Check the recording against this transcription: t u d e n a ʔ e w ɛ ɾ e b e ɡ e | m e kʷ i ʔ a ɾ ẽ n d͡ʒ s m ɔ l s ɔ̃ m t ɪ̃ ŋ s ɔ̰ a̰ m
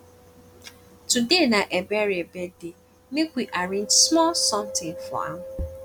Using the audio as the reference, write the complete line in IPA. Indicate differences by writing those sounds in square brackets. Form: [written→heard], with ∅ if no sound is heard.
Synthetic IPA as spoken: t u d e n a ʔ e [w→b] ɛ ɾ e b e [ɡ→d] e | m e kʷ i ʔ a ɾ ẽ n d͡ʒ s m ɔ l s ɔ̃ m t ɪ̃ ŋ [s→f] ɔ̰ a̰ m